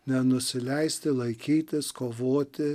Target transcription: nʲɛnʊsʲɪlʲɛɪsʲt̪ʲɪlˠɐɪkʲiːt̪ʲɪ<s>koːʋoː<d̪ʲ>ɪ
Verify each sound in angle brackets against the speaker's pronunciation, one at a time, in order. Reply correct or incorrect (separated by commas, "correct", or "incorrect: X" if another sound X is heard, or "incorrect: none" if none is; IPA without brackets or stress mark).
correct, incorrect: t̪ʲ